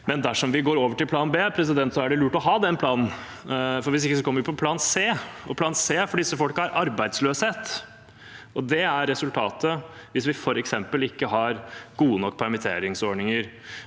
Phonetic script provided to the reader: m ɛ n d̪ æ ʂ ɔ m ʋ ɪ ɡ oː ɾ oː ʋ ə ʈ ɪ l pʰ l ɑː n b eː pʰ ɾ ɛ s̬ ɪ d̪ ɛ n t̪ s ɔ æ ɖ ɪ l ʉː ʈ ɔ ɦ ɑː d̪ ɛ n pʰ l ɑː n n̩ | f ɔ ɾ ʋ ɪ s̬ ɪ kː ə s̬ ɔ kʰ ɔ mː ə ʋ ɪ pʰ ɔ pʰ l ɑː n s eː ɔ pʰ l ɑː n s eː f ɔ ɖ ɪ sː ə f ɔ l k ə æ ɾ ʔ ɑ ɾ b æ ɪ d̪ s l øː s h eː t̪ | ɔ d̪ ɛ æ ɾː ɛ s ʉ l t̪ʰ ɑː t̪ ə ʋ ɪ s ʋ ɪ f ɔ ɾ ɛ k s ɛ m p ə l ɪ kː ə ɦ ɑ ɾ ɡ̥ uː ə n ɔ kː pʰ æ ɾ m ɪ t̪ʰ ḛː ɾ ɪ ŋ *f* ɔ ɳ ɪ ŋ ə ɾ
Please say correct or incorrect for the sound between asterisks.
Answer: incorrect: s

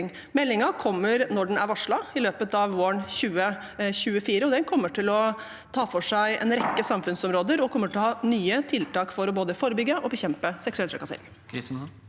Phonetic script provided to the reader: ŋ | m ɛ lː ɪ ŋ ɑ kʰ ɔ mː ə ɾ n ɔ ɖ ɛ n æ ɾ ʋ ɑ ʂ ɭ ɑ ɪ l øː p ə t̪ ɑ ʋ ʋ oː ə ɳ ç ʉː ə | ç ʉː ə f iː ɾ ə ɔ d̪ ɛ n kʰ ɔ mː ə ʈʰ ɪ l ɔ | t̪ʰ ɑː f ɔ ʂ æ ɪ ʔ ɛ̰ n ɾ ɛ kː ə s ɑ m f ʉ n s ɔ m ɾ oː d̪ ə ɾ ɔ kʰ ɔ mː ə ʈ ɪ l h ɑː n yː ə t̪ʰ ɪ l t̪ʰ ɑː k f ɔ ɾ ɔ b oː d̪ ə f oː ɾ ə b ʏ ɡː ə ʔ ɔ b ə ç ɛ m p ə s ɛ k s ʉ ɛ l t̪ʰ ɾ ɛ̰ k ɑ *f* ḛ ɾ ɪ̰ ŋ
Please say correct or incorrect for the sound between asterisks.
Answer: incorrect: s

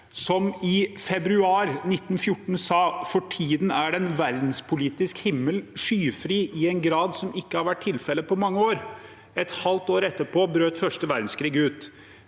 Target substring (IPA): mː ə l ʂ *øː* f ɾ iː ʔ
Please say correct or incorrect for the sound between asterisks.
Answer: incorrect: yː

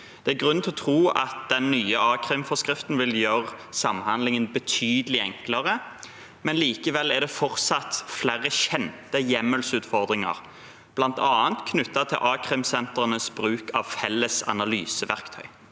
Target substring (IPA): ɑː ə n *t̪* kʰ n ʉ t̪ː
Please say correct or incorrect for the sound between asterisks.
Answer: correct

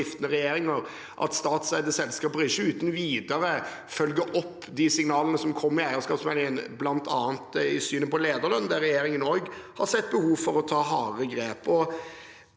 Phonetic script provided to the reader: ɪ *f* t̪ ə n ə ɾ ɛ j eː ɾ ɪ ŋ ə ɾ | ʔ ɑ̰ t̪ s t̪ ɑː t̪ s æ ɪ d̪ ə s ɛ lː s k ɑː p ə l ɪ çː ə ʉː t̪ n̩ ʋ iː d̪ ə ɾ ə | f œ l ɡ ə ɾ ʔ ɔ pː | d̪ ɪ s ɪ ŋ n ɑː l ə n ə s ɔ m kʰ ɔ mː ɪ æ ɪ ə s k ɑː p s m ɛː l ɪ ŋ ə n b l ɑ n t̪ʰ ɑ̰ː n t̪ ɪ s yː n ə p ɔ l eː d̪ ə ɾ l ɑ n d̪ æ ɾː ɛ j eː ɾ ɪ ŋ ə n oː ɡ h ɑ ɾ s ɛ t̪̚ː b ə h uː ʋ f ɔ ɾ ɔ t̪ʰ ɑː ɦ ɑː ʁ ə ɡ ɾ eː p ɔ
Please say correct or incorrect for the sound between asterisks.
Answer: correct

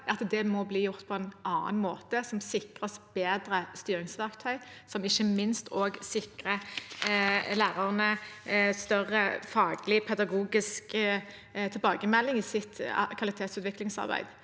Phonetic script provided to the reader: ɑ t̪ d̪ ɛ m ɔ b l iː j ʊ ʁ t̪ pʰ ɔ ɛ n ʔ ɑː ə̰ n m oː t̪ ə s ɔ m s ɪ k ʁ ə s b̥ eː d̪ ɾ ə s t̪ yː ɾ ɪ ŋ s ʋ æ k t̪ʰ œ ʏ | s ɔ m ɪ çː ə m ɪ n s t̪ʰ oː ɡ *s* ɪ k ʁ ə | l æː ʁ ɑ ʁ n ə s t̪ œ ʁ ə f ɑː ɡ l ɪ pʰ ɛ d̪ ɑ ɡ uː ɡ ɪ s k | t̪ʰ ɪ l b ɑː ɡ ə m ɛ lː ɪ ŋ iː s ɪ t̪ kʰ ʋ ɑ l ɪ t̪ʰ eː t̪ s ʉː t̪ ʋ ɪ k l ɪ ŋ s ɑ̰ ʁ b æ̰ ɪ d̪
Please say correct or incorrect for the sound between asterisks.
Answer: correct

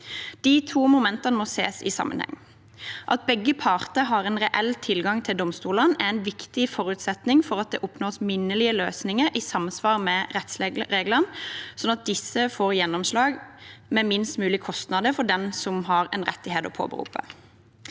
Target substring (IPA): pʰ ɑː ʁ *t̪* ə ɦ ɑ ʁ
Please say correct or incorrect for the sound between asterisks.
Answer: correct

